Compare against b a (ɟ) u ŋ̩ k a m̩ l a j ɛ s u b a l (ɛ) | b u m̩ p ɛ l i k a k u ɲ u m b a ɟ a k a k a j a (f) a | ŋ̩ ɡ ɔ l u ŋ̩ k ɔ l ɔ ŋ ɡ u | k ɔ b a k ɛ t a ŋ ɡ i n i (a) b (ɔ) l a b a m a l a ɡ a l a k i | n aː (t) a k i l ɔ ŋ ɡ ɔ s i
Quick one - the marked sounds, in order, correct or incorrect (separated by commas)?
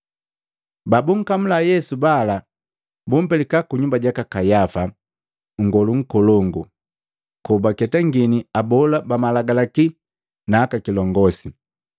incorrect, incorrect, correct, correct, correct, incorrect